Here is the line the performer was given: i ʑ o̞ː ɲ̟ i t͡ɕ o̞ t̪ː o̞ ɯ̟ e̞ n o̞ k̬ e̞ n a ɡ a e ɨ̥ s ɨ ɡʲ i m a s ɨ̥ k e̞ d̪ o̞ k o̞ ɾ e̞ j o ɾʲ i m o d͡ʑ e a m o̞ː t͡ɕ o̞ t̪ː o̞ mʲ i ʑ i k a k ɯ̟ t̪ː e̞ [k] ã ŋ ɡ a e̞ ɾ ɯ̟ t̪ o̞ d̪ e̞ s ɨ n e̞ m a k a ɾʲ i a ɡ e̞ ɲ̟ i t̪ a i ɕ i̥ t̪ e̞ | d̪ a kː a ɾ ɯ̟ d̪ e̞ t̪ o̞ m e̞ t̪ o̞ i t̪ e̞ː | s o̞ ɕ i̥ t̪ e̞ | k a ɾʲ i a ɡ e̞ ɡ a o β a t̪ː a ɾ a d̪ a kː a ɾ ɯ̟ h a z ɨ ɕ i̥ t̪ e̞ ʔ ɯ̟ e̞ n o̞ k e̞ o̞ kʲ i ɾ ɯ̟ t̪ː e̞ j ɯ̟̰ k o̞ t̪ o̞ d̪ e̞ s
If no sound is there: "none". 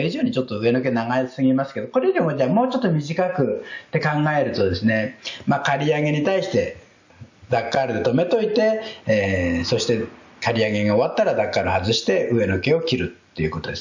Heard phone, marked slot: k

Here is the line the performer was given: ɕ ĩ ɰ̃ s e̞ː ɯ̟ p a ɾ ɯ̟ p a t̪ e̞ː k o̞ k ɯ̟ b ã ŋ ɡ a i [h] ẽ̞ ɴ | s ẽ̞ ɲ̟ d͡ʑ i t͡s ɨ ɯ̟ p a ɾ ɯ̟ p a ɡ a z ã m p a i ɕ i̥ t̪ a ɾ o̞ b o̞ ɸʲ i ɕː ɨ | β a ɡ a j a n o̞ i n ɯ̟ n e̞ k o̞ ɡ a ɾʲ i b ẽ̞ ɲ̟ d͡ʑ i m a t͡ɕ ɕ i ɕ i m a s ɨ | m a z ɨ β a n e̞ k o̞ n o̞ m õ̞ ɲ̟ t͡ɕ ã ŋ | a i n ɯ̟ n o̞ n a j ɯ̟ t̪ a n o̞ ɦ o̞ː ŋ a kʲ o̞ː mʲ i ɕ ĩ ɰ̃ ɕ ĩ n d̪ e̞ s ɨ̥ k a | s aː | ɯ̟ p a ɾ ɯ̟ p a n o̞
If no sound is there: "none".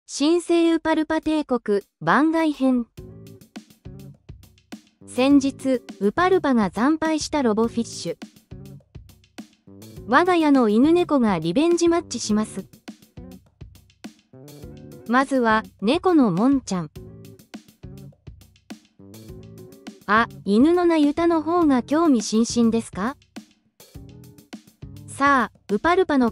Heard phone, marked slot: h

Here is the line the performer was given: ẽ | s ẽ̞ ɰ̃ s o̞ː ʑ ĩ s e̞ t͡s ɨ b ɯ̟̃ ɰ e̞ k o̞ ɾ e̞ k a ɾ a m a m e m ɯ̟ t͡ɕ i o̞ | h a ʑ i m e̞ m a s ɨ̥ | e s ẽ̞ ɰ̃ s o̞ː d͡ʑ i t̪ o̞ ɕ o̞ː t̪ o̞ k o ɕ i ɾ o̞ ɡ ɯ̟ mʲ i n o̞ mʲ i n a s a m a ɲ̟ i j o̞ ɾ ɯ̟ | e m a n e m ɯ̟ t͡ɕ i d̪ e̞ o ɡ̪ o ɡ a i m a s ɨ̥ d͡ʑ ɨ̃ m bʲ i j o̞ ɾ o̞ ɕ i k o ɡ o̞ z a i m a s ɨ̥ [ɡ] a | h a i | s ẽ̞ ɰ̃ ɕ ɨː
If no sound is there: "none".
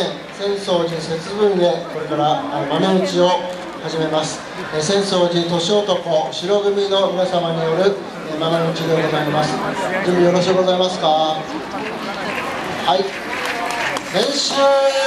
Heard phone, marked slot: k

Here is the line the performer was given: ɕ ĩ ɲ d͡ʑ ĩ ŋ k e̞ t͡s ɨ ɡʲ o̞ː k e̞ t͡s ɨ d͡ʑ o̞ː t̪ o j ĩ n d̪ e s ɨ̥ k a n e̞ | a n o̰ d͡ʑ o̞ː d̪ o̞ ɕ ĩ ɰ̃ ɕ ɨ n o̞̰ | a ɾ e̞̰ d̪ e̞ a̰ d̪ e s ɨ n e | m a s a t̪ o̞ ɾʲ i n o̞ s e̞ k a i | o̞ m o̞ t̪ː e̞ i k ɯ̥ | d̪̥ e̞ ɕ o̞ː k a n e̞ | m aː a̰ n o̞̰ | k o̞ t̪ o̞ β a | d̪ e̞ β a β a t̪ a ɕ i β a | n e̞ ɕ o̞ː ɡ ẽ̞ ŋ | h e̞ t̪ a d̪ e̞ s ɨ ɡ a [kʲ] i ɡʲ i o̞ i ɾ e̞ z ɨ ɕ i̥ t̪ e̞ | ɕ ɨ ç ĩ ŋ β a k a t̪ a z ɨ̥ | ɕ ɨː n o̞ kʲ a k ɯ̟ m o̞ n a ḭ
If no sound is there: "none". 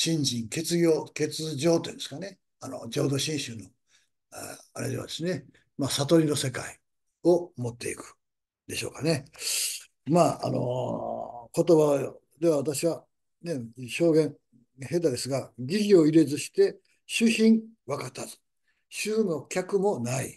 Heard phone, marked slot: ɡʲ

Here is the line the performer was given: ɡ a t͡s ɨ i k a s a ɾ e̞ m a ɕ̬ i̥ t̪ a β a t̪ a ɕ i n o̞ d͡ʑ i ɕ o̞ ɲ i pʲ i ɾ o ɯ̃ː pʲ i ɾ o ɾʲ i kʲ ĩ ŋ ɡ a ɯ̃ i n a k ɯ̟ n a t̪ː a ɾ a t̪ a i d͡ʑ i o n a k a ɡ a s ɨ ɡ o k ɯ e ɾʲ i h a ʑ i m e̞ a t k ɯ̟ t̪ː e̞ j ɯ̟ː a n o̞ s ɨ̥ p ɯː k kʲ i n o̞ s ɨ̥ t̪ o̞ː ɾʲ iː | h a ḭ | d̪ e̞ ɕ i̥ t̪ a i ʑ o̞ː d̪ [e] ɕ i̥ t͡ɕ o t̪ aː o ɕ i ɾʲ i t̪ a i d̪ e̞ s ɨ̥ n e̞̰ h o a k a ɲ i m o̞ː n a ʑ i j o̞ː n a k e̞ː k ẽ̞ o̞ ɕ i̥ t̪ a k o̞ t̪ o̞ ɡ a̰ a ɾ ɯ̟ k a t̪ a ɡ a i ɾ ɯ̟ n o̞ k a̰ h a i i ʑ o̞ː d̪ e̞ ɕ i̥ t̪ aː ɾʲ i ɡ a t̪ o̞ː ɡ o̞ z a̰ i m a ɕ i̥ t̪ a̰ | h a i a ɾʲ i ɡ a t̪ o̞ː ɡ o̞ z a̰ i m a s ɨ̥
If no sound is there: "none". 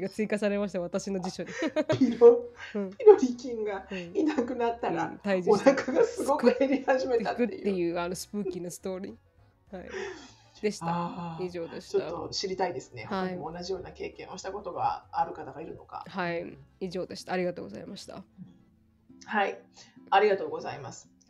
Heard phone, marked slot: e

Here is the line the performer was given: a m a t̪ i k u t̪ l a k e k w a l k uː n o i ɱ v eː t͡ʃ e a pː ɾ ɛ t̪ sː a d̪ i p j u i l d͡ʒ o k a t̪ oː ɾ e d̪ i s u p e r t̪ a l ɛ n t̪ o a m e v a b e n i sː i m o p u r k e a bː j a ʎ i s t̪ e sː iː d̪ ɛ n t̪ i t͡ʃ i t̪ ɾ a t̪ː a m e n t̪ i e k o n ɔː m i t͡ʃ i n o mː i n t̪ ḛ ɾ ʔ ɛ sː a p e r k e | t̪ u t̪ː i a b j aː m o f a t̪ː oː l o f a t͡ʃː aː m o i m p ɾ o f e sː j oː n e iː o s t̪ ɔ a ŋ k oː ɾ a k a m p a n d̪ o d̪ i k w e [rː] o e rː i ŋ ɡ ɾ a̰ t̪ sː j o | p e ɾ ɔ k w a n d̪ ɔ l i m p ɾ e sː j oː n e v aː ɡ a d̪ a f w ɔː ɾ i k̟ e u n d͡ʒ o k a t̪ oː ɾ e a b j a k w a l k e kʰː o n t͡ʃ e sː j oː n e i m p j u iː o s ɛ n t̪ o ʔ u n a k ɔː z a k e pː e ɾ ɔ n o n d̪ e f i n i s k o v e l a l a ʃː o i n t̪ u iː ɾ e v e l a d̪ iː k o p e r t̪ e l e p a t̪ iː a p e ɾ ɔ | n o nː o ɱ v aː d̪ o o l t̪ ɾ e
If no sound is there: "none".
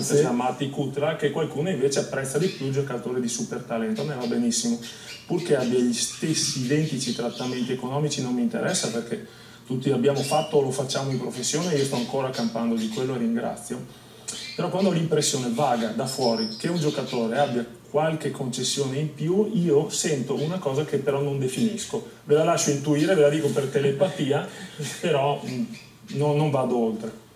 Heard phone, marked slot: lː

